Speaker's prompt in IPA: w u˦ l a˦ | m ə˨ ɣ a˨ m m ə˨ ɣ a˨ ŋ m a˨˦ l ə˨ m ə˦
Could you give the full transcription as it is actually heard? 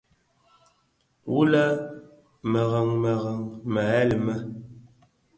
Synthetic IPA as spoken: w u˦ l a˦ | m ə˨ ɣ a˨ ŋ m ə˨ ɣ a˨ ŋ m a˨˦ l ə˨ m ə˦